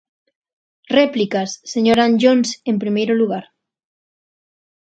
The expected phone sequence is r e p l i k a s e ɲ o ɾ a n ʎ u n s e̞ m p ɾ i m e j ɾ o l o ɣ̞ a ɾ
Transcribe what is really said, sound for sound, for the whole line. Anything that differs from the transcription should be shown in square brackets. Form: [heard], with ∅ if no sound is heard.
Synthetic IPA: r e p l i k a [sː] e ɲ o ɾ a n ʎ [o] n s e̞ m p ɾ i m e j ɾ o l [u] ɣ̞ a ɾ